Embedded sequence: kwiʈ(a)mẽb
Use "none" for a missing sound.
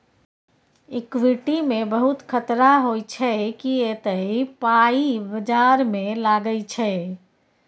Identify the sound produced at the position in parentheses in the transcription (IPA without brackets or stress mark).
i